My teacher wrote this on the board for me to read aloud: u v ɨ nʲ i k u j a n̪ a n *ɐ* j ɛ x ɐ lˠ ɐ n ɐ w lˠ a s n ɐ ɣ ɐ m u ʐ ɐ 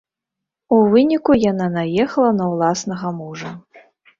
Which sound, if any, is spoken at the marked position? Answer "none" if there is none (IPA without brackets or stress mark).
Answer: a